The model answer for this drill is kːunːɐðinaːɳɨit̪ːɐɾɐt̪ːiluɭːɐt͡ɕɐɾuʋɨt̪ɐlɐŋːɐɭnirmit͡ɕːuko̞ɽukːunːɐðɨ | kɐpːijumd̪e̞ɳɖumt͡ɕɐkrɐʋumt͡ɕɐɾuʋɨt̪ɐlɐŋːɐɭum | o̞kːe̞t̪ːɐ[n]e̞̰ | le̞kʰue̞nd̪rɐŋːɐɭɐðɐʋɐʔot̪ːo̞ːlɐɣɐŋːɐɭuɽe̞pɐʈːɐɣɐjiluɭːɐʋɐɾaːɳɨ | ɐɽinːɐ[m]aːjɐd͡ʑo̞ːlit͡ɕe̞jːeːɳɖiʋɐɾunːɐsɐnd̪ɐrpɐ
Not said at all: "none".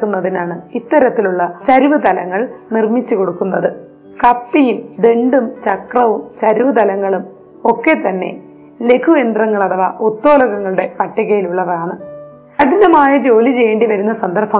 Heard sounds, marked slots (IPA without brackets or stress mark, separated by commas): nː, m